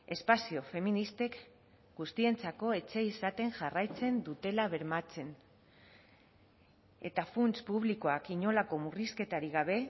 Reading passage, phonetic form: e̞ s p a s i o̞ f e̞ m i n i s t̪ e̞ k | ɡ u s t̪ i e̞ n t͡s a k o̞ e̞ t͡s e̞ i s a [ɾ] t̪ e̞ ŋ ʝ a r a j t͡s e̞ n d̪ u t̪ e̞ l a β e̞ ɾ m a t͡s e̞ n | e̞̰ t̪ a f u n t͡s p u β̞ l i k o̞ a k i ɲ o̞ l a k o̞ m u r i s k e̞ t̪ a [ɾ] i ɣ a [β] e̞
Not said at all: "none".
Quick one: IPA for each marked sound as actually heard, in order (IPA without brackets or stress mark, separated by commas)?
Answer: none, ɾ, β